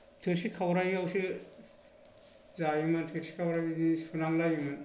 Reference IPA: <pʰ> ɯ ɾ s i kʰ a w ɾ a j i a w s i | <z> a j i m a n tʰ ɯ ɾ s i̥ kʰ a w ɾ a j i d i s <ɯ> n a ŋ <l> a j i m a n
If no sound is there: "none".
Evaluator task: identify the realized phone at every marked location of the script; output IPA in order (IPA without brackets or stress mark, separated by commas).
tʰ, z, u, l